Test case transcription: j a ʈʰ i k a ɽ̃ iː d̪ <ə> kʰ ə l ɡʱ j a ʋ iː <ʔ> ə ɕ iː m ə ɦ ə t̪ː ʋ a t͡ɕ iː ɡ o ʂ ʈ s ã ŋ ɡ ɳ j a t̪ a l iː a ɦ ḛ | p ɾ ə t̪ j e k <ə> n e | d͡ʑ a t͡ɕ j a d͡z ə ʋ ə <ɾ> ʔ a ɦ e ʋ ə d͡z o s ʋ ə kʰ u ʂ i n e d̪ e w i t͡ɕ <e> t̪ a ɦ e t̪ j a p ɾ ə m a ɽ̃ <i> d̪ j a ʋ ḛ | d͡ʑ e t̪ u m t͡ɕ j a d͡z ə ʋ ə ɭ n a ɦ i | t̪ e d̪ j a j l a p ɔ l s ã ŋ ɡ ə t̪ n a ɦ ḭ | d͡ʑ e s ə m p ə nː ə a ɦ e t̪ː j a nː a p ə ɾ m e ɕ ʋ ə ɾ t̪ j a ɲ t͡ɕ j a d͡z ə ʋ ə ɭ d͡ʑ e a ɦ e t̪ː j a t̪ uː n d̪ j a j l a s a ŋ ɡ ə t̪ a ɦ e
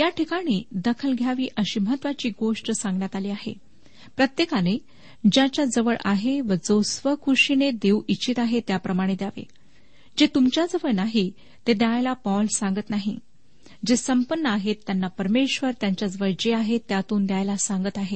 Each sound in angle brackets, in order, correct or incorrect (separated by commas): correct, correct, incorrect, incorrect, incorrect, incorrect